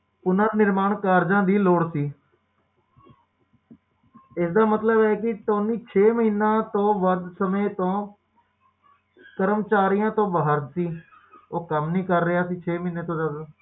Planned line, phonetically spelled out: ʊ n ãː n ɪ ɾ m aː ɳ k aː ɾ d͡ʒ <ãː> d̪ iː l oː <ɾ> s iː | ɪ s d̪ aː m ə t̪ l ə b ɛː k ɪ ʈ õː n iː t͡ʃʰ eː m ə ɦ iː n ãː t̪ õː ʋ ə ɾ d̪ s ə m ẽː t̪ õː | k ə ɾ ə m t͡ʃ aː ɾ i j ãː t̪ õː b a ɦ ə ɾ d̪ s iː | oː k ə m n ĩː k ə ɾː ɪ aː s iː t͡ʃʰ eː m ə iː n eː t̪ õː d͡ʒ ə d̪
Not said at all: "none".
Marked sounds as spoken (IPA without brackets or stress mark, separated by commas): ãː, ɽ